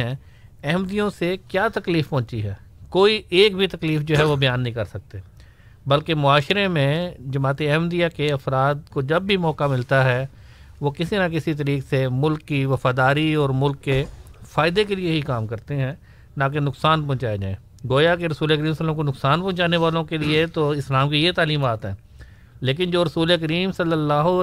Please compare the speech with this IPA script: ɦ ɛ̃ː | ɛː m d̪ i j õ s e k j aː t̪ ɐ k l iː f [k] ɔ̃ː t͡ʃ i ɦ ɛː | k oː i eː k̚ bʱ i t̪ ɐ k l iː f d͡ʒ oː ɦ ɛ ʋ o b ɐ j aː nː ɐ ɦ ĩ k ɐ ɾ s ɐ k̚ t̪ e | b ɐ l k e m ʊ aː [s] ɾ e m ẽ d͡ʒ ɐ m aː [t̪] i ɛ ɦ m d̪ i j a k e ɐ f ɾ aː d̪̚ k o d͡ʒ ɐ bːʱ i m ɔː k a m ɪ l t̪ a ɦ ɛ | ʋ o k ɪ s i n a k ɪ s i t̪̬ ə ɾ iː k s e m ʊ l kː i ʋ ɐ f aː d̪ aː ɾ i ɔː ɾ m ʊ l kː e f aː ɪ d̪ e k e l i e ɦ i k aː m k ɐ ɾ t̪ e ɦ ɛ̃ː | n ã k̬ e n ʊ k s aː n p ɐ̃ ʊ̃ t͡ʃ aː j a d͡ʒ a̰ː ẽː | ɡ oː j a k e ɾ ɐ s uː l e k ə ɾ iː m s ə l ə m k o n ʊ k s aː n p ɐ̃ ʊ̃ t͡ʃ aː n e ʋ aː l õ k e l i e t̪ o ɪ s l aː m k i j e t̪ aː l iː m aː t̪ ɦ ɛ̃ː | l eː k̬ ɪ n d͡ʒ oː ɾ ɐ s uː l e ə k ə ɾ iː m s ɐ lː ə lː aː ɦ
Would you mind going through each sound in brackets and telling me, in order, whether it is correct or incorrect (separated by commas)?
incorrect, incorrect, correct